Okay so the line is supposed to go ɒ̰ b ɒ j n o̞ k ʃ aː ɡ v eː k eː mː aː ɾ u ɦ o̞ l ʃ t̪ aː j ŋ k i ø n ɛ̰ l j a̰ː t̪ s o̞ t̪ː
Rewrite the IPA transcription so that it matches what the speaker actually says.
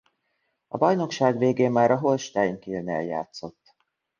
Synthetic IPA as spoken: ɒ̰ b ɒ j n o̞ k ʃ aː ɡ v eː ɡ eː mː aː ɾ ɒ ɦ o̞ l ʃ t̪ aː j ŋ k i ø n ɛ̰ l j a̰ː t̪ s o̞ t̪ː